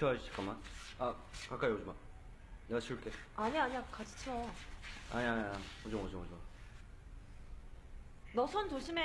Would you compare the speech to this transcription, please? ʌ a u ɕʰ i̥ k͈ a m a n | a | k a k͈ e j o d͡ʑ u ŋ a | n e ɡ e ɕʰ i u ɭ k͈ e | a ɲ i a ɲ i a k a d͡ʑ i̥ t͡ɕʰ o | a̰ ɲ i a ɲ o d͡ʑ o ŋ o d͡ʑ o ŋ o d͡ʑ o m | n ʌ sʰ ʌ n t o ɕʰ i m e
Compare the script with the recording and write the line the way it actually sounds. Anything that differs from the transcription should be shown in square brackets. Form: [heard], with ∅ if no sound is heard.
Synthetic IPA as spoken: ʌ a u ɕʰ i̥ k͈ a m a n | a | k a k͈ [a] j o d͡ʑ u [m] a | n e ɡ [a] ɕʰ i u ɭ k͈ e | a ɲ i a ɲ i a k a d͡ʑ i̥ t͡ɕʰ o | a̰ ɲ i a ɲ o d͡ʑ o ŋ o d͡ʑ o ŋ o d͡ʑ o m | n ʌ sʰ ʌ n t o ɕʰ i m e